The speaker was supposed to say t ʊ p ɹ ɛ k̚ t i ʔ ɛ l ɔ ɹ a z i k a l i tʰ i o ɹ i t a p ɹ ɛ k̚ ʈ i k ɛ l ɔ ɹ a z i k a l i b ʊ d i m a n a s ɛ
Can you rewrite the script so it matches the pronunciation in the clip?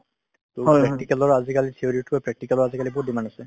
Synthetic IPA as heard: t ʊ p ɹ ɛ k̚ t i k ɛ l ɔ ɹ a z i k a l i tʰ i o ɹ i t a p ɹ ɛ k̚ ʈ i k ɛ l ɔ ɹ a z i k a l i b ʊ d i m a n a s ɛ